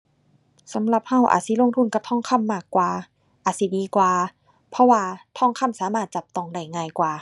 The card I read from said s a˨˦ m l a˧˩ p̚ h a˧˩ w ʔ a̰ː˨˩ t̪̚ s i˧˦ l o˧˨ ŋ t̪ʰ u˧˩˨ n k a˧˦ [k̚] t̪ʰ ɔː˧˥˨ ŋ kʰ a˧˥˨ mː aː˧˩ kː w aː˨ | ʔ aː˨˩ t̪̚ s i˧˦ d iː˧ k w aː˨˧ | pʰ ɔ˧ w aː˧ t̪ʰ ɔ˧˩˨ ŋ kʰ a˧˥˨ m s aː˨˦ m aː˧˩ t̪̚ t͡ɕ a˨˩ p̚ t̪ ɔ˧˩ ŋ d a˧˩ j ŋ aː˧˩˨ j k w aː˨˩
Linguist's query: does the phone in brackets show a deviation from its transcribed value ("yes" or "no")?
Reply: yes